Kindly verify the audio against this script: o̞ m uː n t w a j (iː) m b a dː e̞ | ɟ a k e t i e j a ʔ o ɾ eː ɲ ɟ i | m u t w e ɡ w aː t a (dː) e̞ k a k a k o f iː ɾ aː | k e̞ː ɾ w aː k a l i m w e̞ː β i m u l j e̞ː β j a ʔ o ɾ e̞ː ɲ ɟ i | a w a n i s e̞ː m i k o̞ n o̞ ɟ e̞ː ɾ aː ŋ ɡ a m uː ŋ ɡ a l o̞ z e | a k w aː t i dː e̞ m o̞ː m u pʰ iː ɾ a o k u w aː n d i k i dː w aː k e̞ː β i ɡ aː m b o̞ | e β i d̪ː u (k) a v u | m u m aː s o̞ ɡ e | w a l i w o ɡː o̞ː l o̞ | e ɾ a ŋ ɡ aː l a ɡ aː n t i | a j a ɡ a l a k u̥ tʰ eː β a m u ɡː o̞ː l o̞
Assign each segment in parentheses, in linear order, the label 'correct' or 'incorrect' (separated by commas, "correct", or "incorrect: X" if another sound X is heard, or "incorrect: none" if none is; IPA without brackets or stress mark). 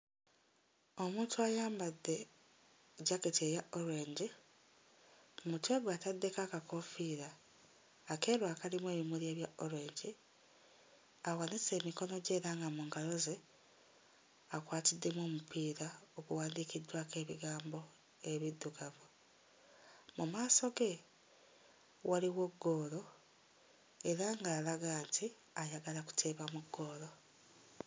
incorrect: aː, correct, incorrect: ɡ